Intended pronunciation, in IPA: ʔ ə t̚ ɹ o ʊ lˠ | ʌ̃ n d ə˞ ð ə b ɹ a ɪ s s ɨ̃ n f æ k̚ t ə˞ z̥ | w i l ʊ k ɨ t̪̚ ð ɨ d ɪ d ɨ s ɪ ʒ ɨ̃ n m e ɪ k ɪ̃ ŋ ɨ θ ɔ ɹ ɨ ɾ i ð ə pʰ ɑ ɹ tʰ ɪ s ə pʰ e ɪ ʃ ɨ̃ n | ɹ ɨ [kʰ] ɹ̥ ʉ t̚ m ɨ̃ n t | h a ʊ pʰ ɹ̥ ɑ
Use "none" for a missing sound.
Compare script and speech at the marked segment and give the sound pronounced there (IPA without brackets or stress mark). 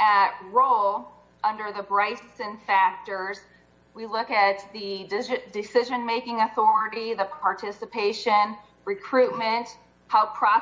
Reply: kʰ